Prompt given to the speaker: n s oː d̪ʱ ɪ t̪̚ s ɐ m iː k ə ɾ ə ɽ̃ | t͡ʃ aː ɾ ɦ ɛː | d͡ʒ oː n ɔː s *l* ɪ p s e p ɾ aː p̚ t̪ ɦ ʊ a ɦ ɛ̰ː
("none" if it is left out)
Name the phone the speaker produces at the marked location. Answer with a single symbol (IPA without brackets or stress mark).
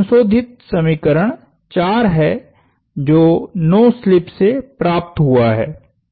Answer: l